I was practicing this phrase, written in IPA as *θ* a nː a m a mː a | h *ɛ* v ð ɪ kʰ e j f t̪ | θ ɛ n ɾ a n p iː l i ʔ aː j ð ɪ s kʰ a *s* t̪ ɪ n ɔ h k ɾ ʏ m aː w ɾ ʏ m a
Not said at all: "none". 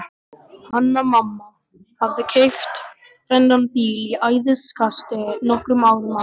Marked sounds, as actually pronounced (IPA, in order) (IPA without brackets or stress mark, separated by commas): h, a, s